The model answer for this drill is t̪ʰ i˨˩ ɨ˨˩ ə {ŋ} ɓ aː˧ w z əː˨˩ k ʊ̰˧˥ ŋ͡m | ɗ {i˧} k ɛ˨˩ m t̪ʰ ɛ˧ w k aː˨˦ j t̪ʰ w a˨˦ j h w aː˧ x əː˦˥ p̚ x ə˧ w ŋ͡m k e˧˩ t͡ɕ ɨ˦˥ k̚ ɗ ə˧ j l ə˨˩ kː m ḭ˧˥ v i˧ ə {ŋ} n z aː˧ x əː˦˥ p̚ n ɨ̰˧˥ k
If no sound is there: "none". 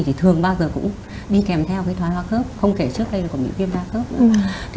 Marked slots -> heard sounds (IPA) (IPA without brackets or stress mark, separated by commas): ŋ, i˧, none